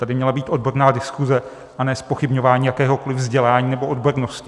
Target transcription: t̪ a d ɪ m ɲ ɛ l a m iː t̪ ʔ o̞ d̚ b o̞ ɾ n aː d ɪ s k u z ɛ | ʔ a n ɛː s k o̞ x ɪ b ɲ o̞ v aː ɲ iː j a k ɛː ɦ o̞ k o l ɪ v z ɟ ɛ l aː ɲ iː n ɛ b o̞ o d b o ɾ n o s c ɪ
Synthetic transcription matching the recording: t̪ a d ɪ m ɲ ɛ l a b iː t̪ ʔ o̞ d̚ b o̞ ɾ n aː d ɪ s k u z ɛ | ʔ a n ɛː s p o̞ x ɪ b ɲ o̞ v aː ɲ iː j a k ɛː ɦ o̞ k o l ɪ v z ɟ ɛ l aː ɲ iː n ɛ b o̞ o d b o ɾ n o s c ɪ